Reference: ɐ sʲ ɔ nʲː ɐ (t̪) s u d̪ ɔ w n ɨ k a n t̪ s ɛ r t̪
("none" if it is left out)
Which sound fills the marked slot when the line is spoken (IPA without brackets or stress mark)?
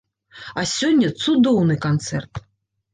t̪